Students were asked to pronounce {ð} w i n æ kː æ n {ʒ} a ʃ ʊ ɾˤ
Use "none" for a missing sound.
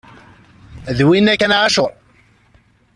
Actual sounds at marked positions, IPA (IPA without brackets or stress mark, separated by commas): ð, ʕ